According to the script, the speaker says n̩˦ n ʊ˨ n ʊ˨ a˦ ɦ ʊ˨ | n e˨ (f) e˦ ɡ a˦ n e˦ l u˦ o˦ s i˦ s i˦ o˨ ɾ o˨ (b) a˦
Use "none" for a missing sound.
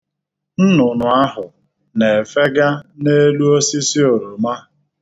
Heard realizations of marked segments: f, m

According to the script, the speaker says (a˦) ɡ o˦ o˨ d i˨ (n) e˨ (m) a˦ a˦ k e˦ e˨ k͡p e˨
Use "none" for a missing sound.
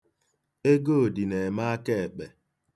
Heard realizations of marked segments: e˦, n, m

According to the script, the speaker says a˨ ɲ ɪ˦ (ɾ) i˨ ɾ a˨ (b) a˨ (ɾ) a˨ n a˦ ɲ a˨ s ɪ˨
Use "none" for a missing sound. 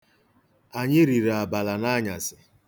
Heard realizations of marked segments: ɾ, b, l

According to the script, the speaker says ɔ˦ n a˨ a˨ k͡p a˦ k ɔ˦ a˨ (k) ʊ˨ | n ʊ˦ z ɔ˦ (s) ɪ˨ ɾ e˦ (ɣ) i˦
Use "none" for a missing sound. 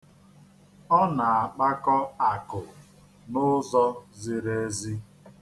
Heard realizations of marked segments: k, z, z

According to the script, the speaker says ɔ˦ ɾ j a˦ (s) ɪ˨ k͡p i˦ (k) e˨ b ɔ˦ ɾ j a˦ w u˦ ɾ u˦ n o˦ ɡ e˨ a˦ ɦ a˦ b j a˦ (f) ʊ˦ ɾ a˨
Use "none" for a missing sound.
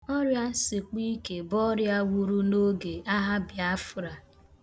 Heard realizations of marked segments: s, k, f

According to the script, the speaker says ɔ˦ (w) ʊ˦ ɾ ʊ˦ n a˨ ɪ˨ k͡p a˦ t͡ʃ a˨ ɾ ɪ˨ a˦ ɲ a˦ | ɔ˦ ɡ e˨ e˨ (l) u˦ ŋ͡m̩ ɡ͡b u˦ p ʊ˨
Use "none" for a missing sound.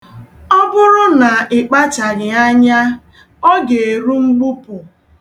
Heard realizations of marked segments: b, ɾ

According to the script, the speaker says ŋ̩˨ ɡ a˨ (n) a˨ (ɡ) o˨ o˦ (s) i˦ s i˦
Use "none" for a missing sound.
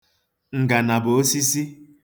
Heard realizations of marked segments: n, b, s

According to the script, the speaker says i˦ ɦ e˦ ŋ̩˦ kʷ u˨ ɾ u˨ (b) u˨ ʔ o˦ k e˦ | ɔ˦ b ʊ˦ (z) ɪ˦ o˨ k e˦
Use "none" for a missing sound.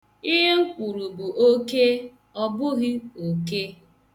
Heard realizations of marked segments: b, ɣ

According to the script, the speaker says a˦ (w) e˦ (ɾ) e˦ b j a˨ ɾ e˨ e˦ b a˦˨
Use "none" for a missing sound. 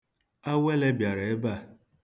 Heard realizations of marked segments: w, l

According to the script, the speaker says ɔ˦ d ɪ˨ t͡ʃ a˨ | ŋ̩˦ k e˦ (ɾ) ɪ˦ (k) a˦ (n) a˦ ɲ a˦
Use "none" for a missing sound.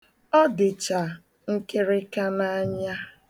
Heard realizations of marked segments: ɾ, k, n

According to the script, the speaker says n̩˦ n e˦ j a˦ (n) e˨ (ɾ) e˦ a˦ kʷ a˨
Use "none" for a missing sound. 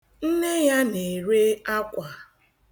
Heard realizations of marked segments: n, ɾ

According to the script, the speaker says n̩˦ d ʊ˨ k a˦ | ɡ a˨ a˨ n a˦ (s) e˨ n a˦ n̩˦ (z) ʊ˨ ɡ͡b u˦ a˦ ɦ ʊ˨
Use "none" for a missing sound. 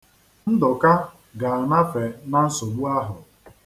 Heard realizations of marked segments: f, s

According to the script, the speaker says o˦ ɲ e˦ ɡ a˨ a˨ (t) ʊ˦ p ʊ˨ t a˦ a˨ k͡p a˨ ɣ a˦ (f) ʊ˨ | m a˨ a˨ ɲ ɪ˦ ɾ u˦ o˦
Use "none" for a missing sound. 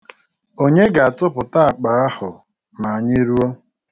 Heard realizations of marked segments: t, h

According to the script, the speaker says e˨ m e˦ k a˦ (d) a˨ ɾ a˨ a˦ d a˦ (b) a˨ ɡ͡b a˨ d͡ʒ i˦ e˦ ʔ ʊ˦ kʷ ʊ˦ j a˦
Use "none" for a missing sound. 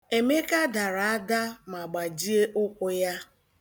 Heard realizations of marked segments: d, m

